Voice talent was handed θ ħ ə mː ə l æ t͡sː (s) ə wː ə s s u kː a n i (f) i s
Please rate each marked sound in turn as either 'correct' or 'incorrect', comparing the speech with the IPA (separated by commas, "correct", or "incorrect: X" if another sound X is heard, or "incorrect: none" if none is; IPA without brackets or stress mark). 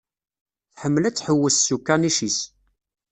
incorrect: ħ, incorrect: ʃ